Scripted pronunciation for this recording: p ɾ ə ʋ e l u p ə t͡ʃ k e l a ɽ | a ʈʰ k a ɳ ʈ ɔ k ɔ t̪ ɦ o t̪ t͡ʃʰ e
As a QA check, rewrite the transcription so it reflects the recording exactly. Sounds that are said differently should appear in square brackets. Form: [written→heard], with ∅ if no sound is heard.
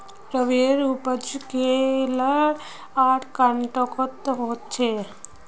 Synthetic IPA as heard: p ɾ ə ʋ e [l→ɾ] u p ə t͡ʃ k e l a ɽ | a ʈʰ k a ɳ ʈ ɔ k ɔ t̪ ɦ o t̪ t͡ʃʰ e